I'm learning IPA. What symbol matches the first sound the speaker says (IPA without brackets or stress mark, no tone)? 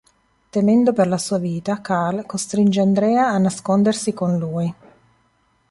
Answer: t̪